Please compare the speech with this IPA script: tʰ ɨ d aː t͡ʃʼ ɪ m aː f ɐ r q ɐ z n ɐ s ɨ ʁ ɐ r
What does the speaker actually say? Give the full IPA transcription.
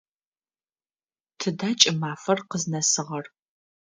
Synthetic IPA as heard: tʰ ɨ d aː t͡ʃʼ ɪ m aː f ɐ r q ə z n ɐ s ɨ ʁ ɐ r